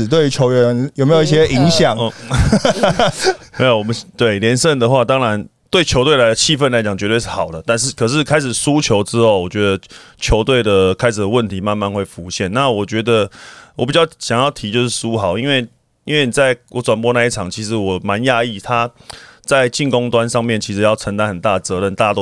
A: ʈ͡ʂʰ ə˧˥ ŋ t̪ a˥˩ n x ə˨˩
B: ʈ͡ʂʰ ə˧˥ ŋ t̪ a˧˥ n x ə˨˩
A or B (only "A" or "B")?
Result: B